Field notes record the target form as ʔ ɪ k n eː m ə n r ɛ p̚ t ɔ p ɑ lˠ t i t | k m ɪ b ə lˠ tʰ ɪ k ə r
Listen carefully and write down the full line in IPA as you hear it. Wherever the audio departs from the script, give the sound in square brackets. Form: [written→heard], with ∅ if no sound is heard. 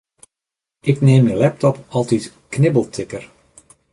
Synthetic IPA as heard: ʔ ɪ k n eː m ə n [r→l] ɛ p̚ t ɔ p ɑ lˠ t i t | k [m→n] ɪ b ə lˠ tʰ ɪ k ə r